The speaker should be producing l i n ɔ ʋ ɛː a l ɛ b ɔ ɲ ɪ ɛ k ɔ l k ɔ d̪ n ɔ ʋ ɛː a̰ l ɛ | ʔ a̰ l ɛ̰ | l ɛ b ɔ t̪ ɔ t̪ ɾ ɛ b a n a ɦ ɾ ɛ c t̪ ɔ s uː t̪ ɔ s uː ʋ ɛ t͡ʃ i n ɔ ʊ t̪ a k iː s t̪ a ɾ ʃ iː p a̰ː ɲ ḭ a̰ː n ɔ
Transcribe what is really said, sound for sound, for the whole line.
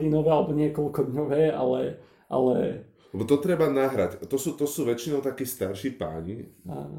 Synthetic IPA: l i n ɔ ʋ ɛː a l ɛ b ɔ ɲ ɪ ɛ k ɔ l k ɔ d̪ ɲ ɔ ʋ ɛː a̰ l ɛ | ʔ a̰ l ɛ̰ | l ɛ b ɔ t̪ ɔ t̪ ɾ ɛ b a n a ɦ ɾ a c t̪ ɔ s uː t̪ ɔ s uː ʋ ɛ t͡ʃ i n ɔ ʊ t̪ a k iː s t̪ a ɾ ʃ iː p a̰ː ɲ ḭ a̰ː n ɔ